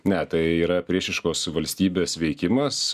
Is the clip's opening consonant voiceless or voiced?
voiced